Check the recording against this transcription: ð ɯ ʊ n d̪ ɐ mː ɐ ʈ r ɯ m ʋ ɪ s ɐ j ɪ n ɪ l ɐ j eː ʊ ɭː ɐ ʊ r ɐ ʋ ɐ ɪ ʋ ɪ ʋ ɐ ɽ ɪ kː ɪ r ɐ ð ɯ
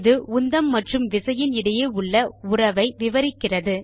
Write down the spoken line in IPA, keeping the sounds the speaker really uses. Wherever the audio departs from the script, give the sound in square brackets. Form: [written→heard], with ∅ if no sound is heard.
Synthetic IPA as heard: ð ɯ ʊ n d̪ ɐ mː ɐ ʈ r ɯ m ʋ ɪ s ɐ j ɪ n ɪ [l→ɽ] ɐ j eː ʊ ɭː ɐ ʊ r ɐ ʋ ɐ ɪ ʋ ɪ ʋ ɐ [ɽ→ɾ] ɪ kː ɪ r ɐ ð ɯ